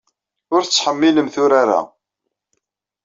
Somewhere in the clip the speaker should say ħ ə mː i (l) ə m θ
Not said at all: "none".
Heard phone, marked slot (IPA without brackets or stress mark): l